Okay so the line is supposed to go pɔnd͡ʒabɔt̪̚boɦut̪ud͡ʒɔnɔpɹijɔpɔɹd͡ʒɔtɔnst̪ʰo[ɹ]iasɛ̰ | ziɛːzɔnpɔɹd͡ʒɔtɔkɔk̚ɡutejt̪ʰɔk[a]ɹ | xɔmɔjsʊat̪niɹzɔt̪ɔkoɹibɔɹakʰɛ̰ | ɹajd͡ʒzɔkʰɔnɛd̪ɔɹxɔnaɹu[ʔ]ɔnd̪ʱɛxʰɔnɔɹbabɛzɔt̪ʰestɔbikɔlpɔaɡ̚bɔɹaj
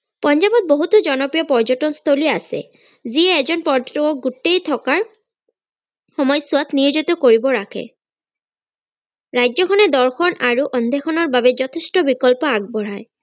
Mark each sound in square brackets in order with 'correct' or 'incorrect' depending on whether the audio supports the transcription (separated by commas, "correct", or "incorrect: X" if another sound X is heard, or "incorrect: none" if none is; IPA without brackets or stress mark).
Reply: incorrect: l, correct, correct